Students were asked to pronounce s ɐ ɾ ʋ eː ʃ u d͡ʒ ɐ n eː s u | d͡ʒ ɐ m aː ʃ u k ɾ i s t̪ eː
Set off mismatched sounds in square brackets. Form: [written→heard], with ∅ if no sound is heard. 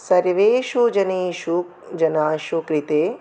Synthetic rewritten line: s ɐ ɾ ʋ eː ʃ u d͡ʒ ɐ n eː [s→ʃ] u | d͡ʒ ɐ [m→n] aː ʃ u k ɾ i [s→∅] t̪ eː

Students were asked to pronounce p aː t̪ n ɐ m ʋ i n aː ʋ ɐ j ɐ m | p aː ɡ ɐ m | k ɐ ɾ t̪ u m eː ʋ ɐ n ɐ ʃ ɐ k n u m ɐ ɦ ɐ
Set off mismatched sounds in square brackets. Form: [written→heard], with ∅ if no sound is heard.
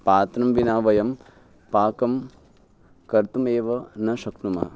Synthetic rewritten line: p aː t̪ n ɐ m ʋ i n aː ʋ ɐ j ɐ m | p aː [ɡ→k] ɐ m | k ɐ ɾ t̪ u m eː ʋ ɐ n ɐ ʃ ɐ k n u m ɐ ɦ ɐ

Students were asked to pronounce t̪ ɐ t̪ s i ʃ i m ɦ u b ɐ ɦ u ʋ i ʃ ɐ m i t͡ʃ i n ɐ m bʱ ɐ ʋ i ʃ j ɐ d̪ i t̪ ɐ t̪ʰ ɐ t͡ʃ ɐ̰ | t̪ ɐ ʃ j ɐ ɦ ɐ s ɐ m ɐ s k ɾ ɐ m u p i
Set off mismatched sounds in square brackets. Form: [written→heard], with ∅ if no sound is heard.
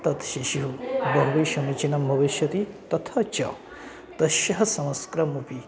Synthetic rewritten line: t̪ ɐ t̪ [s→ʃ] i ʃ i [m→∅] ɦ u b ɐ ɦ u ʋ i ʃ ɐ m i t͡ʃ i n ɐ m bʱ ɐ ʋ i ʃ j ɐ [d̪→t̪] i t̪ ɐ t̪ʰ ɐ t͡ʃ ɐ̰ | t̪ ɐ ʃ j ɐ ɦ ɐ s ɐ m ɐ s k ɾ ɐ m u p i

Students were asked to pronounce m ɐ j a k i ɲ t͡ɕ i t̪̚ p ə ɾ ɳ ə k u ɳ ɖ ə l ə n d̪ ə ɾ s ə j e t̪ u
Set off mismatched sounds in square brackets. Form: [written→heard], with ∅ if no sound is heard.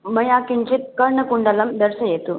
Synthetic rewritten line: m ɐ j a k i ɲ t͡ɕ i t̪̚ [p→k] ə ɾ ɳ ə k u ɳ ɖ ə l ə [n→m] d̪ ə ɾ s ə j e t̪ u

